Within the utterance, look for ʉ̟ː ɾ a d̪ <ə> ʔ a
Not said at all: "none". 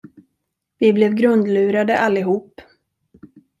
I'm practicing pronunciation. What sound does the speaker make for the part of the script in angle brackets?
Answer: ə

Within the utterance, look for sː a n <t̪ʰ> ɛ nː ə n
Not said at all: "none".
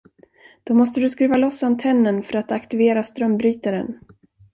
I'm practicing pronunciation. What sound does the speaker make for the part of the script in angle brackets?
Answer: t̪ʰ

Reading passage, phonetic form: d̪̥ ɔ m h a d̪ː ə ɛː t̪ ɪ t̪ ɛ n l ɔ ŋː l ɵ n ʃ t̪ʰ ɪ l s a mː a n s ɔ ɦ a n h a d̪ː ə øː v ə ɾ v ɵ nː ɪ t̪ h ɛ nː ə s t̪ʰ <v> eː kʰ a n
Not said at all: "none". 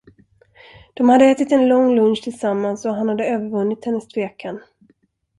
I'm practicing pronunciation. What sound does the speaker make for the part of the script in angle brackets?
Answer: v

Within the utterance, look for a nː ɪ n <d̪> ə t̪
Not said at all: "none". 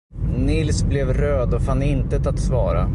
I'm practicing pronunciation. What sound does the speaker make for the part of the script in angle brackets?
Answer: t̪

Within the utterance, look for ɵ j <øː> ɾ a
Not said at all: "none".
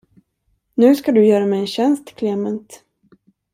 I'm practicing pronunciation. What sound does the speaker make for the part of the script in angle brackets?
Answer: œː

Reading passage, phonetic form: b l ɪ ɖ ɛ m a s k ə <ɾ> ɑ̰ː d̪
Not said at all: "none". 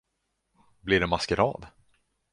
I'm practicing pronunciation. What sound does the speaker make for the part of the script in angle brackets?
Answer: ɾ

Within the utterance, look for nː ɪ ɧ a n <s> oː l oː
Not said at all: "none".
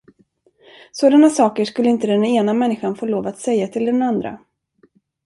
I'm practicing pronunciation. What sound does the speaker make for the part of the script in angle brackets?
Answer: f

